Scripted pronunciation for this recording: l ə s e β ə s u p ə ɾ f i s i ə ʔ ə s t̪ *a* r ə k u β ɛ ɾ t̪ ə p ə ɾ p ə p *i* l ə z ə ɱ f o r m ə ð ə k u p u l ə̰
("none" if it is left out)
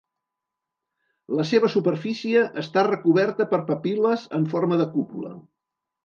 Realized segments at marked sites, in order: a, i

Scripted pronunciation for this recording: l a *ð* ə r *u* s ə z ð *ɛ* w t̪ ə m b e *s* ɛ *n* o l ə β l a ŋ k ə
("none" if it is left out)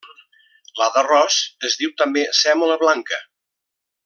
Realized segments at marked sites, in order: ð, ɔ, i, s, m

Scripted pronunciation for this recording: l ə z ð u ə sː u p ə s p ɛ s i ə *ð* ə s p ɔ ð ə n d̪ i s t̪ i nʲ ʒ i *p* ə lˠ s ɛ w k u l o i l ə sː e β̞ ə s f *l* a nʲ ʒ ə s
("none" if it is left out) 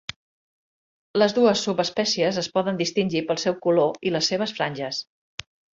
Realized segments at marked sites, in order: z, p, ɾ

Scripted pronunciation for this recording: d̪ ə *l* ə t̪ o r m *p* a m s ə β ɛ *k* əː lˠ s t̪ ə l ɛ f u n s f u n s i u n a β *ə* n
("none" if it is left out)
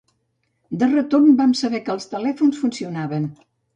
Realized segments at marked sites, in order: r, b, k, ə

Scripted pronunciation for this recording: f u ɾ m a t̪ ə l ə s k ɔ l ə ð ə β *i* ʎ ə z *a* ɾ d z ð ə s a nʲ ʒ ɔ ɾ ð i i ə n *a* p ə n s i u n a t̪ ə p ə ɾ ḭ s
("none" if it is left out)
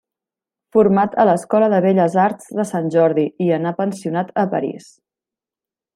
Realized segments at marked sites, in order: e, a, a

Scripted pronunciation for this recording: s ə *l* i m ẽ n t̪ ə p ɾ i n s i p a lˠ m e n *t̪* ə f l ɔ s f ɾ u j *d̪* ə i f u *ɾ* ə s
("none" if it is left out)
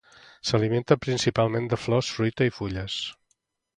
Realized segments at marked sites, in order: l, d̪, t̪, ʎ

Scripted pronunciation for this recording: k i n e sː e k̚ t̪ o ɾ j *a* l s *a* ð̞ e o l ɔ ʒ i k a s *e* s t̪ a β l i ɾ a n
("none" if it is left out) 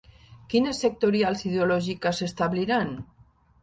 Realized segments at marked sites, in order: a, i, e

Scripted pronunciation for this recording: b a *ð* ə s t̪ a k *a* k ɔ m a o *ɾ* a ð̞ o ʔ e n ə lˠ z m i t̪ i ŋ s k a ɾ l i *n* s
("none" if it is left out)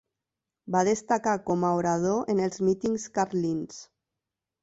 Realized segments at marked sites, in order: ð, a, ɾ, n

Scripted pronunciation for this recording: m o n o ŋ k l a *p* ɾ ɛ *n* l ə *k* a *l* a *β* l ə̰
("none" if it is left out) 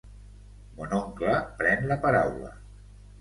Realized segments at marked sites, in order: p, n, p, ɾ, w

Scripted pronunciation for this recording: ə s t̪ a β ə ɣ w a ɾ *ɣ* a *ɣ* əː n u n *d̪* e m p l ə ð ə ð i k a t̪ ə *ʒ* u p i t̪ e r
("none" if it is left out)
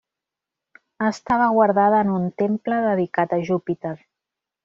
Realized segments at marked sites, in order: ð, ð, t̪, ʒ

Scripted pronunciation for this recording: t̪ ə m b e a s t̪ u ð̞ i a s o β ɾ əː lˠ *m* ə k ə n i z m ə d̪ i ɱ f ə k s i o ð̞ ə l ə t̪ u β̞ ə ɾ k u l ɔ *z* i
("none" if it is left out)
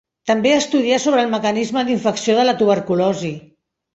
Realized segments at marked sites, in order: m, z

